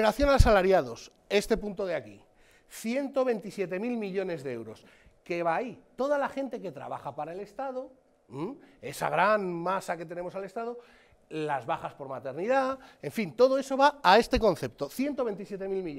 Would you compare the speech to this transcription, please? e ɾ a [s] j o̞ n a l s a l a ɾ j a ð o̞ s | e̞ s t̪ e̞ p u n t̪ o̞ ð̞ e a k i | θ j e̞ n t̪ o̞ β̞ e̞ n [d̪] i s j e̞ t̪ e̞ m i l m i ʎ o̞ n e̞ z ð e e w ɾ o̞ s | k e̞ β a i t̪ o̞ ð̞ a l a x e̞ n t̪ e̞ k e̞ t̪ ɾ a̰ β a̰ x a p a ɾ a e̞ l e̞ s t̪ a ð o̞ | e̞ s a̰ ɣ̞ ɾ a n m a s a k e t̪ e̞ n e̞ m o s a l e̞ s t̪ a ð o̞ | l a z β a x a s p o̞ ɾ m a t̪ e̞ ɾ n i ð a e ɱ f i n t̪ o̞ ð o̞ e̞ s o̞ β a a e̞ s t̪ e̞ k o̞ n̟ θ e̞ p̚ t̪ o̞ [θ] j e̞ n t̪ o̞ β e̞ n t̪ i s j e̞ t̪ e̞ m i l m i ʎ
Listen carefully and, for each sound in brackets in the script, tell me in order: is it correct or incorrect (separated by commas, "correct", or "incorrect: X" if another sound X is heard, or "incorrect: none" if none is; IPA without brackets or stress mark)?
incorrect: θ, incorrect: t̪, correct